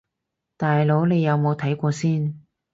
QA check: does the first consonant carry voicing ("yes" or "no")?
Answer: no